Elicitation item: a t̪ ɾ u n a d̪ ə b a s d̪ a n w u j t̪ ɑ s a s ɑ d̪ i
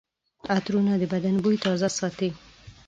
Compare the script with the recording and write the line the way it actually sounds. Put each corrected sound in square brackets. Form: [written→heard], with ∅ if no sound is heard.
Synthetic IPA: a t̪ ɾ u n a d̪ ə b a [s→∅] d̪ a n [w→b] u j t̪ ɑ [s→z] a s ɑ [d̪→t̪] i